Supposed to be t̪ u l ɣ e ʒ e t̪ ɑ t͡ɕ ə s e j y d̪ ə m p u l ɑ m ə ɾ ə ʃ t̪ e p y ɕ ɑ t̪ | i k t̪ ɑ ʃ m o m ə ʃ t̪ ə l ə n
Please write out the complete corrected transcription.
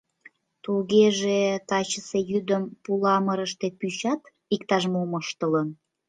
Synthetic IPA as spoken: t̪ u l ɣ e ʒ e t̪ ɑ t͡ɕ ə s e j y d̪ ə m p u l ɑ m ə ɾ ə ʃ t̪ e p y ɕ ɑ t̪ | i k t̪ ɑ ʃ m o m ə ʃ t̪ ə l ə n